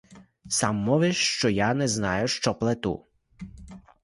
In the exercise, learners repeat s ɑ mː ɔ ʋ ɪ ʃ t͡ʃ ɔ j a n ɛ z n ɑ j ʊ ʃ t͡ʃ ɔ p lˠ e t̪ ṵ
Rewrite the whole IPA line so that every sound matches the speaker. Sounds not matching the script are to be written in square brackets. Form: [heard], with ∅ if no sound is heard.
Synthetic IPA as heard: s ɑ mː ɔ ʋ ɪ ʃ t͡ʃ ɔ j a n ɛ z n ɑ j ʊ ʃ t͡ʃ ɔ p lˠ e t̪ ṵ